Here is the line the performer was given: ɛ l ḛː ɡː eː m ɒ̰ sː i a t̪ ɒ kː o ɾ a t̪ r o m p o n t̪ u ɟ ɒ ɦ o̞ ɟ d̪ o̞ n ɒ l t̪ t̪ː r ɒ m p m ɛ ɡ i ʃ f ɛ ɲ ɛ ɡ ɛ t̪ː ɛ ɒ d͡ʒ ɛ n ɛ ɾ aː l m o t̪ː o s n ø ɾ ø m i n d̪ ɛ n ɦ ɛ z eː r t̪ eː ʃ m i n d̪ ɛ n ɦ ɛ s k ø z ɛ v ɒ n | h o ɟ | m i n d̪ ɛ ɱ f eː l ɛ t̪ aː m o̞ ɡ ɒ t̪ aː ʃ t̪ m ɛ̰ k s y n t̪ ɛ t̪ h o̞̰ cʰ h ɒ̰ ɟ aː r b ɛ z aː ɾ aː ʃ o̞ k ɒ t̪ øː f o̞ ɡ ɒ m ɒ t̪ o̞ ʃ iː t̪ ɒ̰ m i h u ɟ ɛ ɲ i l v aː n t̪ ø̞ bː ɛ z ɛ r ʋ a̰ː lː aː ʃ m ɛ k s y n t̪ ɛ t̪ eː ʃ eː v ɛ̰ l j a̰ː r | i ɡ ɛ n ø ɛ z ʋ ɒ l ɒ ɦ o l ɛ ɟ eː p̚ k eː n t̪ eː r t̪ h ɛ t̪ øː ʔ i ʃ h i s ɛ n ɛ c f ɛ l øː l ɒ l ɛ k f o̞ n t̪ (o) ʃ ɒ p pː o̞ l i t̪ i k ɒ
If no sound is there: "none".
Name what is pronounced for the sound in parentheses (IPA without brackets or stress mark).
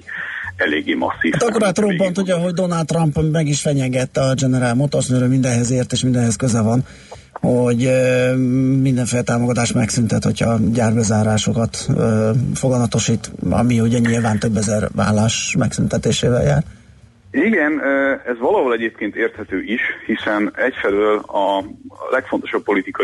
o